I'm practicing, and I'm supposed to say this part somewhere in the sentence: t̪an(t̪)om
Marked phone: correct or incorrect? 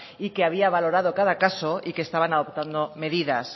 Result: incorrect: d̪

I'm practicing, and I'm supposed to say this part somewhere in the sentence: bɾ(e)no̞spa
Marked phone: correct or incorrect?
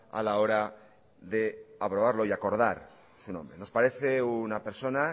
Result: correct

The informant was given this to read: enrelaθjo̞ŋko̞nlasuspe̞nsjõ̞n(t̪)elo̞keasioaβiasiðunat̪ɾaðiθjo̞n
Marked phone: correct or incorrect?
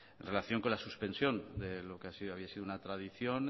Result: incorrect: d̪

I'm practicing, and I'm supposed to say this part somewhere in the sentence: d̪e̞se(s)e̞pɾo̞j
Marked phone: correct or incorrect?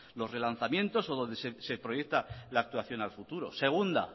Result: correct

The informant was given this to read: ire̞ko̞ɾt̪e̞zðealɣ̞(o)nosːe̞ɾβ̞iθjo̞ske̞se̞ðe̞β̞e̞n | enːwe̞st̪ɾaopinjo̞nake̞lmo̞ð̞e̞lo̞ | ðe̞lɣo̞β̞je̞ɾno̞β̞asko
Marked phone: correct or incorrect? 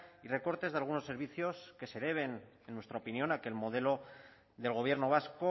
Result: incorrect: u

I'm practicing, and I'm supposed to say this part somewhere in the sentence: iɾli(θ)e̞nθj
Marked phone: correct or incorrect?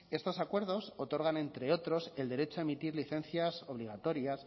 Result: correct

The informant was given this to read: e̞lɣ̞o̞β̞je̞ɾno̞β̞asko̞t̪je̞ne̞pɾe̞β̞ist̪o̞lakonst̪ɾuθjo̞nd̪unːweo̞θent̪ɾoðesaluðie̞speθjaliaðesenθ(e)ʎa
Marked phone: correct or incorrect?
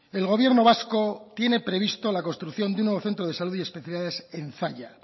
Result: incorrect: a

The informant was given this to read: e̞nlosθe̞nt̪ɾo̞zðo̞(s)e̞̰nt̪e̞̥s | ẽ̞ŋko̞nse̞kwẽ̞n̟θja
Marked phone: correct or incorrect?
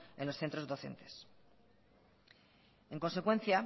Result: incorrect: θ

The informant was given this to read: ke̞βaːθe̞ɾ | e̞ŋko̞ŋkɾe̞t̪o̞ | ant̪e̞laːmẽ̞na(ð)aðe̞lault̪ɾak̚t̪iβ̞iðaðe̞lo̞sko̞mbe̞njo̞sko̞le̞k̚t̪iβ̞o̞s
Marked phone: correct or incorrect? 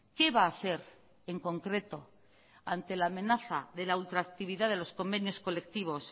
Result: incorrect: θ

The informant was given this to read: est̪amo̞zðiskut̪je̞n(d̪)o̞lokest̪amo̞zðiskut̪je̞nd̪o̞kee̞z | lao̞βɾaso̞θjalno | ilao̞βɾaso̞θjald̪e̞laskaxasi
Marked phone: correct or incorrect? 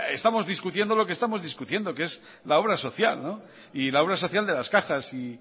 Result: correct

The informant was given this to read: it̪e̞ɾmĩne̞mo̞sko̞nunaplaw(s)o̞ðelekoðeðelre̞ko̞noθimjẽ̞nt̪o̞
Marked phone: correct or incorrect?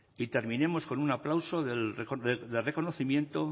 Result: correct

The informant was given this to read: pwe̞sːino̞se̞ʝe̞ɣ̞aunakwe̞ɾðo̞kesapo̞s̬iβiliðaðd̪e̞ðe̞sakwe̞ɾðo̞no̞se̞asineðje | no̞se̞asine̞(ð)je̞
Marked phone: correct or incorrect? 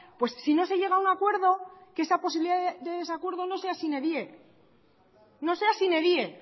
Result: correct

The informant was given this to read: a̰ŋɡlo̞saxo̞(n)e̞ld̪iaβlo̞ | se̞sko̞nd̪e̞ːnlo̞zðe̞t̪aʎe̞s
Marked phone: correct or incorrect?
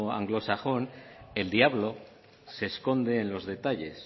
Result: correct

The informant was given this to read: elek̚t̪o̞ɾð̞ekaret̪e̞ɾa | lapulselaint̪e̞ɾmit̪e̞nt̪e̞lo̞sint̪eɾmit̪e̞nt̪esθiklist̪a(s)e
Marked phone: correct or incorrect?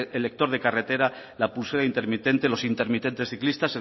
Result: correct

